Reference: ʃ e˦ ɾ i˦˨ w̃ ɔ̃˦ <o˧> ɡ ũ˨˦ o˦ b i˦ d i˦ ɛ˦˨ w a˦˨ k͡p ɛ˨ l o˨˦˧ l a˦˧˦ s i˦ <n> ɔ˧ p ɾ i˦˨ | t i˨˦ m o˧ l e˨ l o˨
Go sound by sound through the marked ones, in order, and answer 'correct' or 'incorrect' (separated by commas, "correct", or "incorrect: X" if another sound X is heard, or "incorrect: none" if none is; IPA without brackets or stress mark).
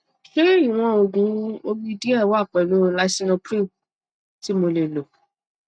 correct, correct